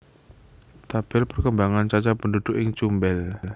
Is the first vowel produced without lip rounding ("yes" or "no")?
yes